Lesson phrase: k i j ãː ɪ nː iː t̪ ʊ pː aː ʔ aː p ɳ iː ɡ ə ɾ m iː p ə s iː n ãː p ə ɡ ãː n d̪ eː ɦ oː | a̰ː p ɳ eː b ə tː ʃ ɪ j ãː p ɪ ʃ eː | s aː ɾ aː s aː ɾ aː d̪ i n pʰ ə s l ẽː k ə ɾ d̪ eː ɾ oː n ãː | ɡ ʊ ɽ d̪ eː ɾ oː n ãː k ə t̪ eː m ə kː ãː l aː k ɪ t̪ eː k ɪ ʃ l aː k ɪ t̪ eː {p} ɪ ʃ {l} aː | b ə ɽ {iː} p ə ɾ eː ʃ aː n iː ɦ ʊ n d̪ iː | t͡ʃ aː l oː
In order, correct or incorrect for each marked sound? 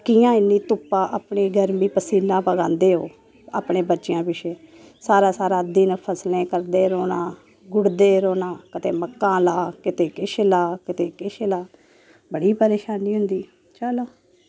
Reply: incorrect: k, correct, correct

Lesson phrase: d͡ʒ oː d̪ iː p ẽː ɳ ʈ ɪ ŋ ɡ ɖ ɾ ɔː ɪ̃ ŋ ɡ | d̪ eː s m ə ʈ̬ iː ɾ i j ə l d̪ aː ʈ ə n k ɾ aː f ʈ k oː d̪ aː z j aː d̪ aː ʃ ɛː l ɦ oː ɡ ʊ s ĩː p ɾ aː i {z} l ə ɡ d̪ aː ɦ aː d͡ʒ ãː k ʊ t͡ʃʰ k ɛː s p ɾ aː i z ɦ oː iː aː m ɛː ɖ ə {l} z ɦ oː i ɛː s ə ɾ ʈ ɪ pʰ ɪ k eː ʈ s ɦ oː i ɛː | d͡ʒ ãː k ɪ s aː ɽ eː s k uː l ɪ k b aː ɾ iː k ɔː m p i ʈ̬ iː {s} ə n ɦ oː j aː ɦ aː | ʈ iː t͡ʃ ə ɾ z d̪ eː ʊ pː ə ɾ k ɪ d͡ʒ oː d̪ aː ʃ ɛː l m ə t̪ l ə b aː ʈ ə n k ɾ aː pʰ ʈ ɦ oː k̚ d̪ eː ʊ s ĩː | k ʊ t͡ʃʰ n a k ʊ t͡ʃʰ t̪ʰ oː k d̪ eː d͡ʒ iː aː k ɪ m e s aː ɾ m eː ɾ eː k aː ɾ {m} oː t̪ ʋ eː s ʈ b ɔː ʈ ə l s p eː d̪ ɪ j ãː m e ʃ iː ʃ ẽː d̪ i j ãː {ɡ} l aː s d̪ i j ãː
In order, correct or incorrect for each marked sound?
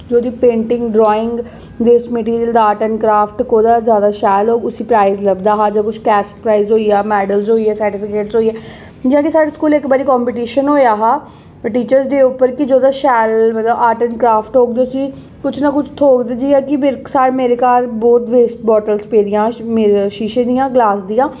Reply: correct, correct, incorrect: ʃ, incorrect: b, correct

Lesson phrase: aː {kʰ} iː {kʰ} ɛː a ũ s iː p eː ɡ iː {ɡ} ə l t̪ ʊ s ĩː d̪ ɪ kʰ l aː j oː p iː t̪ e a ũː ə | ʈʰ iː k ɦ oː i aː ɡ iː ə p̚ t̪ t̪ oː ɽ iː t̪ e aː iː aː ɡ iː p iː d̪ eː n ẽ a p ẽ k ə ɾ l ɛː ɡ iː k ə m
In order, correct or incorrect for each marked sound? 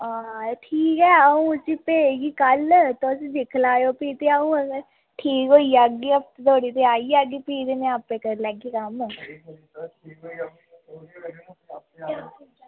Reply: incorrect: ʈʰ, incorrect: k, incorrect: k

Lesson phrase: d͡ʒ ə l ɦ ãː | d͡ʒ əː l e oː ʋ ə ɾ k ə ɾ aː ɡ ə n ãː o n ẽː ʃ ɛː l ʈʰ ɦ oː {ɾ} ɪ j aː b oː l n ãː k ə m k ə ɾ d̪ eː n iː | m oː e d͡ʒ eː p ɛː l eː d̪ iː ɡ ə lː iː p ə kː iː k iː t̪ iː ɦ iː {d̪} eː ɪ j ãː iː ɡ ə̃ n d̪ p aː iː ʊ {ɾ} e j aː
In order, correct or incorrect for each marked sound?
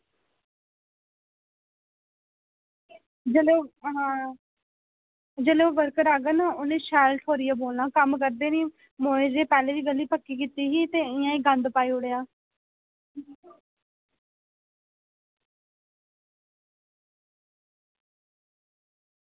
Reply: correct, incorrect: t̪, incorrect: ɽ

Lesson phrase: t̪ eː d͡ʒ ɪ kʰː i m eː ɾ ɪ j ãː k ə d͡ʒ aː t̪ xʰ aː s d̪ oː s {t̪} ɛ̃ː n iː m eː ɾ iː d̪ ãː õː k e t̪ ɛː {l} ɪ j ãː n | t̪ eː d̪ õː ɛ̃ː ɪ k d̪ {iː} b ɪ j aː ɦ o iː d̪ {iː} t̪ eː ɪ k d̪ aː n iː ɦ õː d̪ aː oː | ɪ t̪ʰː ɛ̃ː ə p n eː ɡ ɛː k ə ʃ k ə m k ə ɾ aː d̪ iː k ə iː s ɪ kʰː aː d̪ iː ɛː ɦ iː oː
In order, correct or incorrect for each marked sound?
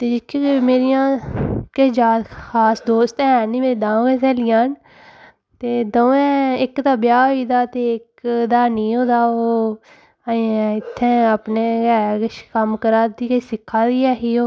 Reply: correct, correct, incorrect: aː, incorrect: aː

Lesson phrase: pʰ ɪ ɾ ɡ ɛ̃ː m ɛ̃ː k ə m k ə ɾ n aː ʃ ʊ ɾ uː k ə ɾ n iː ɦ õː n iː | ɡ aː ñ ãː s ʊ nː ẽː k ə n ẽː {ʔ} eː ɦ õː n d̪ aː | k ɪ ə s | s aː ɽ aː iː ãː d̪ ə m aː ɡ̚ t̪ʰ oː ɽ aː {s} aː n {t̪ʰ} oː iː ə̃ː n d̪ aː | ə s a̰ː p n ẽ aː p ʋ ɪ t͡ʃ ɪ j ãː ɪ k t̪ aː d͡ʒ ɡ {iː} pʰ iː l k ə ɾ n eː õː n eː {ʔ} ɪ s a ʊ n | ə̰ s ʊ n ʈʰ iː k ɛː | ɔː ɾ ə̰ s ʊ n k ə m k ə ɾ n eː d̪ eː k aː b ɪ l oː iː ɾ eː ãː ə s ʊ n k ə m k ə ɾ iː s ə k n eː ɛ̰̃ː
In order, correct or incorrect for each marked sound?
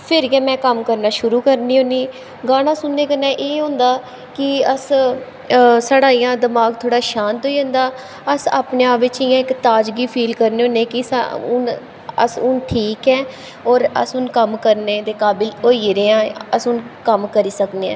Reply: correct, incorrect: ʃ, incorrect: t̪, correct, incorrect: k

